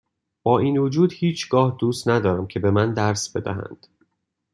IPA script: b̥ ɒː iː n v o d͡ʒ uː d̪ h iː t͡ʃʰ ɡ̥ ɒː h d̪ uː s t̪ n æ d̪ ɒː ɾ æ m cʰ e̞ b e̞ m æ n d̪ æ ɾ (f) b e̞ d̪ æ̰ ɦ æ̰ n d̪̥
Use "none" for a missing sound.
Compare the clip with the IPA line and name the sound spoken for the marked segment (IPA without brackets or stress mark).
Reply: s